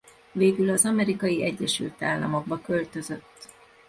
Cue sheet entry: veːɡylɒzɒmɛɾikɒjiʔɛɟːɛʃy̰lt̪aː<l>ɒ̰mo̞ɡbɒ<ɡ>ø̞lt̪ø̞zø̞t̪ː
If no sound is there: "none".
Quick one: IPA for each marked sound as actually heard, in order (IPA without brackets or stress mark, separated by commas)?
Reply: lː, k